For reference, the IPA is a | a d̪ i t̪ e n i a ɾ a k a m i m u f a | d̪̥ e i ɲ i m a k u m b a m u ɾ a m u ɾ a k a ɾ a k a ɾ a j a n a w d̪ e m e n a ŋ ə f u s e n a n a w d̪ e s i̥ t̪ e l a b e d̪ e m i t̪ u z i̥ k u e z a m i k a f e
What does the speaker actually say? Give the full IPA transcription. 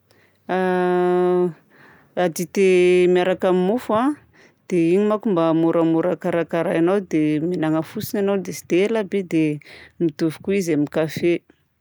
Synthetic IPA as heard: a | a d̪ i t̪ e m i a ɾ a k a m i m u f a | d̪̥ e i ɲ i m a k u m b a m u ɾ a m u ɾ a k a ɾ a k a ɾ a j a n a w d̪ e m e n a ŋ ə f u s i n a n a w d̪ e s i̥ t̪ e l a b e d̪ e m i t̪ u v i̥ k u i z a m i k a f e